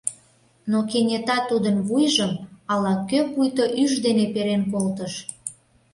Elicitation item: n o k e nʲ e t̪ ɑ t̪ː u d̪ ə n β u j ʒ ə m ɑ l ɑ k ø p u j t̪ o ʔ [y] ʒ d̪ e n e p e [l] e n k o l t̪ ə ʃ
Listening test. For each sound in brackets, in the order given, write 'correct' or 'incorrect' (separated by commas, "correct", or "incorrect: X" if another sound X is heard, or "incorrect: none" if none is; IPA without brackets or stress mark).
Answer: correct, incorrect: ɾ